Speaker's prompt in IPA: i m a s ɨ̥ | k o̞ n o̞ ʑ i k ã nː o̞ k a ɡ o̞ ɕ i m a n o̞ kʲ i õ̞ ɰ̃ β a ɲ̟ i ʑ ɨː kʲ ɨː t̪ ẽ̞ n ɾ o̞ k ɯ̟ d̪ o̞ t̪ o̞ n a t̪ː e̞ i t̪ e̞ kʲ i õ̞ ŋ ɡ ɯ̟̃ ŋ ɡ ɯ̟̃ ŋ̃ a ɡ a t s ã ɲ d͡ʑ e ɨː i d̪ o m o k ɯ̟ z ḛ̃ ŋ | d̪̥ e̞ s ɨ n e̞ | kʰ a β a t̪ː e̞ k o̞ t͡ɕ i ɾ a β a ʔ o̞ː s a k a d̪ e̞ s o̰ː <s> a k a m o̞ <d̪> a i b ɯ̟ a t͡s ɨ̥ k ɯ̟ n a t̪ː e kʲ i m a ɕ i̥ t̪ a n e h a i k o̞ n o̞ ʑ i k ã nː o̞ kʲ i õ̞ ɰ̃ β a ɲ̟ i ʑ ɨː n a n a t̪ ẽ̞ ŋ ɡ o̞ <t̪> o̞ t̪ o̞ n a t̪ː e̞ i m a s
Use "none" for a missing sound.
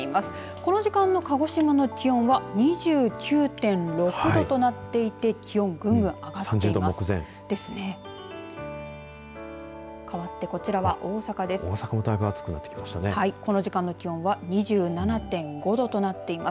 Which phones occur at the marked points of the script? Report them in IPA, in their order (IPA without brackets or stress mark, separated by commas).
s, d̪, d̪